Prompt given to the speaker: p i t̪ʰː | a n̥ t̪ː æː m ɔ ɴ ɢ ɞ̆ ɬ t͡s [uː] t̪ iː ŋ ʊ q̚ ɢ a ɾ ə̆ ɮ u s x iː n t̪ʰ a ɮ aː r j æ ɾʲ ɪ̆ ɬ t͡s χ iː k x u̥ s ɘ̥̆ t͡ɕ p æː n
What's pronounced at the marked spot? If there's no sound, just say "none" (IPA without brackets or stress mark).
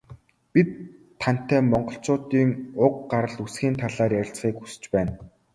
ʊː